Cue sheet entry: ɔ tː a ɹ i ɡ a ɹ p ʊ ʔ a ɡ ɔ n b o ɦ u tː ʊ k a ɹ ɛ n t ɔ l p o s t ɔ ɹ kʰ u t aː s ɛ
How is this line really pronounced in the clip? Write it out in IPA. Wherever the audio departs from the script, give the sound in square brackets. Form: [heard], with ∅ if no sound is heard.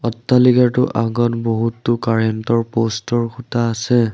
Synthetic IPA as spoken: ɔ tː a [l] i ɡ a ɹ [t] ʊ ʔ a ɡ ɔ n b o ɦ u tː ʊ k a ɹ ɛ n t ɔ [ɹ] p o s t ɔ ɹ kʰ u t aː s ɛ